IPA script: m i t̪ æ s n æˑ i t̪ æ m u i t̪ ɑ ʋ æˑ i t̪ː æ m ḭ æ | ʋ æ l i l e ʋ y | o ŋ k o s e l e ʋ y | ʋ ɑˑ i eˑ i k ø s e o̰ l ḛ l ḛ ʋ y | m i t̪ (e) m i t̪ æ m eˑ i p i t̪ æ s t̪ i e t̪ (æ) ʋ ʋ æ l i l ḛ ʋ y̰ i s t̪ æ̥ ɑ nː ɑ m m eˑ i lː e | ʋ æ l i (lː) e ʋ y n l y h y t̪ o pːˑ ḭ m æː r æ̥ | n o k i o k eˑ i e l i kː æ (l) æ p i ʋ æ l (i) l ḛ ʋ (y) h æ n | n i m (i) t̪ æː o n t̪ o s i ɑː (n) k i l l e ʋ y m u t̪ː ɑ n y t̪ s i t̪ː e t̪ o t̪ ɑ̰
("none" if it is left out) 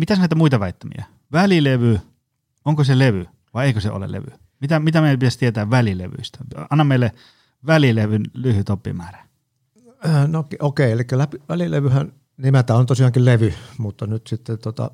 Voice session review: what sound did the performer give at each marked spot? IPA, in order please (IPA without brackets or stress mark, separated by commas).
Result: æ, æː, l, l, i, y, æ, ŋ